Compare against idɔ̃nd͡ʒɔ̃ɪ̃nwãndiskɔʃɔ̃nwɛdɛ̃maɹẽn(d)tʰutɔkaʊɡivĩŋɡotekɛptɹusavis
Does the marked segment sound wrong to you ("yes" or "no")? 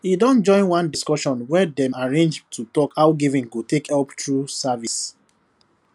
yes